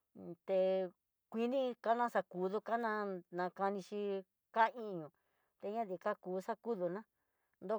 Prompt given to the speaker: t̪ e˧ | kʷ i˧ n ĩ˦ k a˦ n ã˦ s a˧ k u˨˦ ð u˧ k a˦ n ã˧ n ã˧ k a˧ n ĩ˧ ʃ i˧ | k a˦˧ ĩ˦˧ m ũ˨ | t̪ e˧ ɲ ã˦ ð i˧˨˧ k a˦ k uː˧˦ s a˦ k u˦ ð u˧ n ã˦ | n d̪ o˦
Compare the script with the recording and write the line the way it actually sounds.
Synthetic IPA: t̪ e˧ | kʷ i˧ n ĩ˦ k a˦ n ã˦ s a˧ k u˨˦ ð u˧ k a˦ n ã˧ n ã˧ k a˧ n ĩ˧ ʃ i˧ | k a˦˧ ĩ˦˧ ɲ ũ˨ | t̪ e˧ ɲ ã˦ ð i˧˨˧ k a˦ k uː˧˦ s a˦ k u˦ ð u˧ n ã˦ | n d̪ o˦

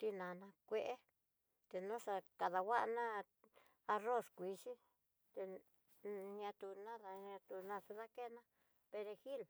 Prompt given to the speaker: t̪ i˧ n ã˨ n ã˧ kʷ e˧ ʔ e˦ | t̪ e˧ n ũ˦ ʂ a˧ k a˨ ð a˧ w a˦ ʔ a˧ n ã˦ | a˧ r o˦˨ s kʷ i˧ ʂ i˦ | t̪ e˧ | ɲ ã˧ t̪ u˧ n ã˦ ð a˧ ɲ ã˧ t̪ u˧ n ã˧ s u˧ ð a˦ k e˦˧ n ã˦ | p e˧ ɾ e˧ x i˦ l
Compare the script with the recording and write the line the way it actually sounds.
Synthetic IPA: t̪ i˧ n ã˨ n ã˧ kʷ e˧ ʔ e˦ | t̪ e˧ n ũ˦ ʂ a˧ k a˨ ð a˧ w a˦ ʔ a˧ n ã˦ | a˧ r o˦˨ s kʷ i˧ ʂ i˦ | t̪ e˧ | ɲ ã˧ t̪ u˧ n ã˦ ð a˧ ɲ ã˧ t̪ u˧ n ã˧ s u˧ ð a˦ k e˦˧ n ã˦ | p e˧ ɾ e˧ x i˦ l

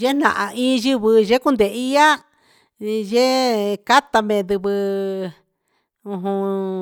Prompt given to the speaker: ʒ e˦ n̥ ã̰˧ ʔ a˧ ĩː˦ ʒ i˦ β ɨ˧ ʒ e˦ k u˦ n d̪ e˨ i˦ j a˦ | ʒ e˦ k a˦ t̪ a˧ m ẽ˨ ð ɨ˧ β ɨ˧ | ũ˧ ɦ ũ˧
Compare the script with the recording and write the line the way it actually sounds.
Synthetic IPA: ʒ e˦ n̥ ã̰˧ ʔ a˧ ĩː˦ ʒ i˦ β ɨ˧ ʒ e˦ k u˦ n d̪ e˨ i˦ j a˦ | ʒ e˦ k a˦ t̪ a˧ m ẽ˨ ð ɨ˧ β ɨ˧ | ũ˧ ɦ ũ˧

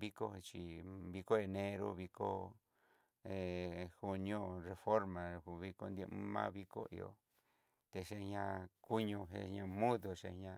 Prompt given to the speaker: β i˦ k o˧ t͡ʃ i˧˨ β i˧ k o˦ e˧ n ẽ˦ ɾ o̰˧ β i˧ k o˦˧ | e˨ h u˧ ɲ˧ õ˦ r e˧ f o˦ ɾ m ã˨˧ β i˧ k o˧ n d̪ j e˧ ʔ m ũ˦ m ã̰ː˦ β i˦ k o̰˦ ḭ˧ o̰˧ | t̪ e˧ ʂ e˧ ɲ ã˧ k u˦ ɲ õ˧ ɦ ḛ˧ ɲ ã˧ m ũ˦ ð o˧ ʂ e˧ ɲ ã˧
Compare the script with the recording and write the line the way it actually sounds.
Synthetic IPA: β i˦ k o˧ t͡ʃ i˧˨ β i˧ k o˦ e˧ n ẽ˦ ɾ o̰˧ β i˧ k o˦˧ | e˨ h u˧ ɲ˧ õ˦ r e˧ f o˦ ɾ m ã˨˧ β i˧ k o˧ n d̪ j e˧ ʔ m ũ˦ m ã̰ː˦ β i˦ k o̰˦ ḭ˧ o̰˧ | t̪ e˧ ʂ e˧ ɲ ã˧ k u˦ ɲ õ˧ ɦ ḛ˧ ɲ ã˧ m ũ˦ ð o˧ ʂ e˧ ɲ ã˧

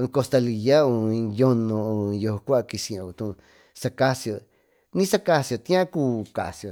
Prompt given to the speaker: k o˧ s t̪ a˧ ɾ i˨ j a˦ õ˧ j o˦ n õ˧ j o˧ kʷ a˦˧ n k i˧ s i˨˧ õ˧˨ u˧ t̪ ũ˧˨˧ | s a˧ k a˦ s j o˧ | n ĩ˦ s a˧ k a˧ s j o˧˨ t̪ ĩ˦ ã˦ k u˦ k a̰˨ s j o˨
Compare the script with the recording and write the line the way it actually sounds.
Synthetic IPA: k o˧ s t̪ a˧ l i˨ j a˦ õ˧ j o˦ n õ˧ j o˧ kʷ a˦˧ k i˧ s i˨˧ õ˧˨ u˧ t̪ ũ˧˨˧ | s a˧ k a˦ s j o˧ | n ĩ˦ s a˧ k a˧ s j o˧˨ t̪ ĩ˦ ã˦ k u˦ k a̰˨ s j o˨

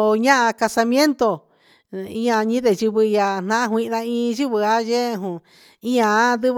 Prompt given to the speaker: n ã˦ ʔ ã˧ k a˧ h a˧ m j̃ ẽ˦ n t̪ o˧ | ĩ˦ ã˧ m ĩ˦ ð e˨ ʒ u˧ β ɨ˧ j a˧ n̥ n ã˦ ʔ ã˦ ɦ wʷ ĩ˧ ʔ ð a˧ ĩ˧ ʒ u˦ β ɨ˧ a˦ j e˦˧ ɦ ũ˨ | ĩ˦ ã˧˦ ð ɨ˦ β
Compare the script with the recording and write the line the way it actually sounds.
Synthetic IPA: ɲ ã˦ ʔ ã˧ k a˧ s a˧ m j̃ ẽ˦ n t̪ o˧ | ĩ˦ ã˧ ɲ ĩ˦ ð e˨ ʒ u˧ β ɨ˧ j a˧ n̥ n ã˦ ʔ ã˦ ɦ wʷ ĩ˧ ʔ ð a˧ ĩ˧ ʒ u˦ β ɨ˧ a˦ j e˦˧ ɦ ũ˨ | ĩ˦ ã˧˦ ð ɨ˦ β

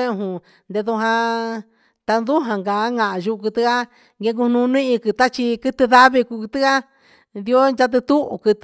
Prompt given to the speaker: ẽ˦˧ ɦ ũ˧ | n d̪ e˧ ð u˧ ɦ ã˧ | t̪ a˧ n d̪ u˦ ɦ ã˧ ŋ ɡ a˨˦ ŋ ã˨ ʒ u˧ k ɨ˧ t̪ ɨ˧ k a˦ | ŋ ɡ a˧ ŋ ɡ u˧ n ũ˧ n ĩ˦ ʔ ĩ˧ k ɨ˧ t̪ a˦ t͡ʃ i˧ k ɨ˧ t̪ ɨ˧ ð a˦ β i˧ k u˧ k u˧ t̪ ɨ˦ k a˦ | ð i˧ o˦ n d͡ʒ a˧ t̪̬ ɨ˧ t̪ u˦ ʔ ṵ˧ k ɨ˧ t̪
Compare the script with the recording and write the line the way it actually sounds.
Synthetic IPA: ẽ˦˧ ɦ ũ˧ | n d̪ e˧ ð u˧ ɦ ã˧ | t̪ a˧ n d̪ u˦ ɦ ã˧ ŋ ɡ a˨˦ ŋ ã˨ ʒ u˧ k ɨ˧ t̪ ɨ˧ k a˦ | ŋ ɡ e˧ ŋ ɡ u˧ n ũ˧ n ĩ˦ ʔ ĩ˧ k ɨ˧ t̪ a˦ t͡ʃ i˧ k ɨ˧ t̪ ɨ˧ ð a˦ β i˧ k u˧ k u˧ t̪ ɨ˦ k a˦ | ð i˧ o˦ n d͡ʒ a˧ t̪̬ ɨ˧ t̪ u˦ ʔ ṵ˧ k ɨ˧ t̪

